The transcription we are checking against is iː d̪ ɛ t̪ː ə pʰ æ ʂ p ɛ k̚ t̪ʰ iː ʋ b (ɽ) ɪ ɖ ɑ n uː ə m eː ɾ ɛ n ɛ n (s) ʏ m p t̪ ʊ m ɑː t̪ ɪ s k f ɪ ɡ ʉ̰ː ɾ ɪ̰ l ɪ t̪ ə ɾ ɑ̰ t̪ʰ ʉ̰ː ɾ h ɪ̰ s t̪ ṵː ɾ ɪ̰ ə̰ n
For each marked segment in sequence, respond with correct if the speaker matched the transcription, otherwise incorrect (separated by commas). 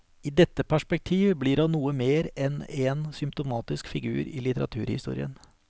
incorrect, correct